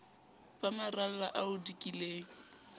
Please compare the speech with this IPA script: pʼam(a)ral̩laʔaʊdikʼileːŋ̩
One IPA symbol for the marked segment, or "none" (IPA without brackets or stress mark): a